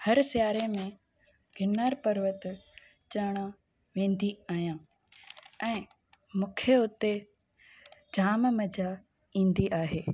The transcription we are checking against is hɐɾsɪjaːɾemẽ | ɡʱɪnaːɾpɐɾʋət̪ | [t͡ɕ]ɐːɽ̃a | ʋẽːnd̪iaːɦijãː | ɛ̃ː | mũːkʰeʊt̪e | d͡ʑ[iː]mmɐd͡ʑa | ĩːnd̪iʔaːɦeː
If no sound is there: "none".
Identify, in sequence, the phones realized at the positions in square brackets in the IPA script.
t͡ɕ, aː

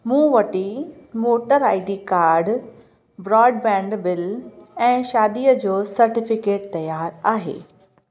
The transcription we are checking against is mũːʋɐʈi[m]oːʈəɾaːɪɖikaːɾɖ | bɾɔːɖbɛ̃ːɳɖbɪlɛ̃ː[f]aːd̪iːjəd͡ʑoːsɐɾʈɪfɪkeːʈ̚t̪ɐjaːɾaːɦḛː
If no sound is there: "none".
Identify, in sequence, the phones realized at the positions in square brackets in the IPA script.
m, ʃ

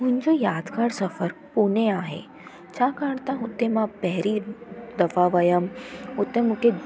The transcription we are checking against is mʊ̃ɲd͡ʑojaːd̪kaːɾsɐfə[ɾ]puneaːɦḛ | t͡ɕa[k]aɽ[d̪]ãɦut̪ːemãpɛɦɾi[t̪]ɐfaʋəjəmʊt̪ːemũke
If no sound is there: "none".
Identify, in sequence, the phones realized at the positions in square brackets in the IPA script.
ɾ, k, t̪, d̪

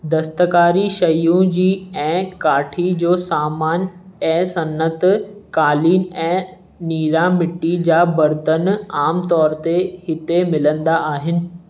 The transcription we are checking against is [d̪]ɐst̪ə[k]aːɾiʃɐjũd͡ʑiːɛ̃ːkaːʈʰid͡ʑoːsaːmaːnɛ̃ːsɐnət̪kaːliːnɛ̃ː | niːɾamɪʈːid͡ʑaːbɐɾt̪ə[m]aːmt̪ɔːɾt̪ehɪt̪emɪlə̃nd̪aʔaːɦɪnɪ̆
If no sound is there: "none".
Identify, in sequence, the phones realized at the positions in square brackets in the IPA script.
d̪, k, n

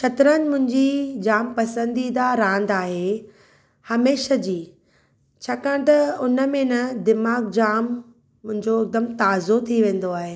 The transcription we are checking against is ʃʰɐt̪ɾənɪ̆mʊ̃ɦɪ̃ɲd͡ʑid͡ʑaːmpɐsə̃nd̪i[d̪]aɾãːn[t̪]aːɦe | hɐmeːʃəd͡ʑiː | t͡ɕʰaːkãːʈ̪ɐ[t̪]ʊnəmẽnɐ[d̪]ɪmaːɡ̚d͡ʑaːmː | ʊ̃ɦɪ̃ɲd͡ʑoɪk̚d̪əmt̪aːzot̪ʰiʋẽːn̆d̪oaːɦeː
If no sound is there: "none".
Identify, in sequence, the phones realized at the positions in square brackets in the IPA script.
d̪, d̪, none, d̪

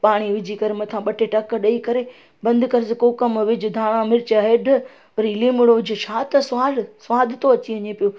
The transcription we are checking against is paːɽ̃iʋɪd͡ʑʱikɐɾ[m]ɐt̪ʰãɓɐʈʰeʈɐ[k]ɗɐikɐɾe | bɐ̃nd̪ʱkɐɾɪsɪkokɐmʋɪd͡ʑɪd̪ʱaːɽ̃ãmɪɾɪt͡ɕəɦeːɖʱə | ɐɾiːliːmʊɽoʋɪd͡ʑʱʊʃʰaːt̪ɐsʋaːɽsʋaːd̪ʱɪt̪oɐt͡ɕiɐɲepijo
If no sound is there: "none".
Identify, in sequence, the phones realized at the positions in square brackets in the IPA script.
m, k

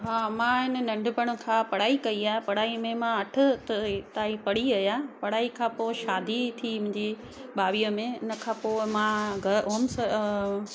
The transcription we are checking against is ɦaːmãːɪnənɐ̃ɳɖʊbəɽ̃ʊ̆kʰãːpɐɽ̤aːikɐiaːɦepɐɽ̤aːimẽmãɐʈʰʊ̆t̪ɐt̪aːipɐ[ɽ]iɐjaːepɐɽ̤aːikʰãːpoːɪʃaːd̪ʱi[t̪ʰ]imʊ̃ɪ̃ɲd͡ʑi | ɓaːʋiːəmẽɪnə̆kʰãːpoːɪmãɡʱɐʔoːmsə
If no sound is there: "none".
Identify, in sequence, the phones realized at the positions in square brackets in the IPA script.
ɽ, t̪ʰ

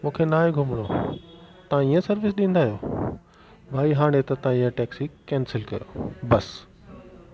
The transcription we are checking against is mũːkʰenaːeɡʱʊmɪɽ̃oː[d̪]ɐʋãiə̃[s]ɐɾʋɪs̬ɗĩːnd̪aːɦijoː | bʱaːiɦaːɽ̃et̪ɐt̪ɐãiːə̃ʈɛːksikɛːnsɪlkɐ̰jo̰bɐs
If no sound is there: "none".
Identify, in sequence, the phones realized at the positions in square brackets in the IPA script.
t̪, s

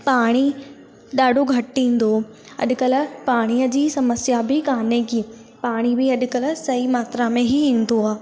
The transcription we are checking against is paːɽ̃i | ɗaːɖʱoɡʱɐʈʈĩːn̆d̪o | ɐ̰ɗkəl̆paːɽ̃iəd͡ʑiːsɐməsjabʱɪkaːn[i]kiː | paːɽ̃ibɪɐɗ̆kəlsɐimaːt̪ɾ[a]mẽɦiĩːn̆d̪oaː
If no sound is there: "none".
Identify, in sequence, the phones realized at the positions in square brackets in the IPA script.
e, a

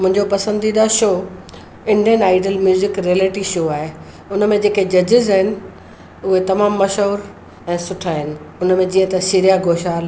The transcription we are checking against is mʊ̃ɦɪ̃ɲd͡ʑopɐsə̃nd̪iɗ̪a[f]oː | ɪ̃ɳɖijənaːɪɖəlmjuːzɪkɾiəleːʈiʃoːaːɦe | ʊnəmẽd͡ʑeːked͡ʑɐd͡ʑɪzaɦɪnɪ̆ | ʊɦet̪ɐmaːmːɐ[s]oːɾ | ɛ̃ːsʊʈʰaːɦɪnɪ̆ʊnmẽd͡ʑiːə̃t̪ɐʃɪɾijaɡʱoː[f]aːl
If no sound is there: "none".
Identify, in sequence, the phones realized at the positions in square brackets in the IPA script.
ʃ, ʃ, ʃ

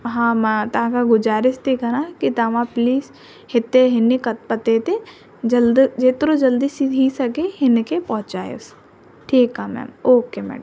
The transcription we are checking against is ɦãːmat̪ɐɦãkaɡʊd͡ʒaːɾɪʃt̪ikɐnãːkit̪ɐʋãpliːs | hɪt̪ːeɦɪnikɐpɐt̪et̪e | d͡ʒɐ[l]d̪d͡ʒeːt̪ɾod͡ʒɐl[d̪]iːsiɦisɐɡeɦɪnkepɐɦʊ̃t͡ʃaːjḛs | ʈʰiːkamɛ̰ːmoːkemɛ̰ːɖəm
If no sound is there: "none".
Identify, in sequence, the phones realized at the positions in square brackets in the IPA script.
l, d̪

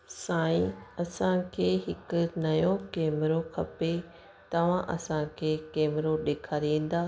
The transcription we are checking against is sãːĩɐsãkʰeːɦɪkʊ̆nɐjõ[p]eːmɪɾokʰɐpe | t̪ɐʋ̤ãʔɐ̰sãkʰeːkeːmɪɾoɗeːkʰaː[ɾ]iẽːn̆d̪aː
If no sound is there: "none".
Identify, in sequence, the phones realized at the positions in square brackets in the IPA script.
k, ɾ

